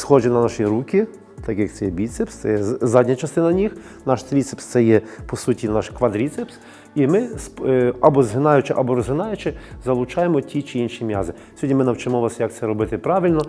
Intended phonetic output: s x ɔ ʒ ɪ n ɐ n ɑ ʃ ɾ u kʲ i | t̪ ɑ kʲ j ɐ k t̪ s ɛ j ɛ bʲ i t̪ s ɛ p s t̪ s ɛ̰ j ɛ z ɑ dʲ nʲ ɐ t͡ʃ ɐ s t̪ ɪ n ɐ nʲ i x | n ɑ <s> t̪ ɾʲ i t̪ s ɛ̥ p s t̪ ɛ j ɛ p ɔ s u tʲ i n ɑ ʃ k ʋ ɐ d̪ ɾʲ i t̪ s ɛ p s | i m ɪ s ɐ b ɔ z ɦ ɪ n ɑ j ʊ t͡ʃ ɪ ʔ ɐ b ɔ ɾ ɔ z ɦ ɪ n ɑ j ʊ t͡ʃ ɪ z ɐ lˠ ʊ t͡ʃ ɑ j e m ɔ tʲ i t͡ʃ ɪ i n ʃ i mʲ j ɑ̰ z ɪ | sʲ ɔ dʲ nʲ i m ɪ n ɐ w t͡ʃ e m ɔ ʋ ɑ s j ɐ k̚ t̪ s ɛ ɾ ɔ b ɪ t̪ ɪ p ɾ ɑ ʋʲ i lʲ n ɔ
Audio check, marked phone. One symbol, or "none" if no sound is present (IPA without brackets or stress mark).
ʃ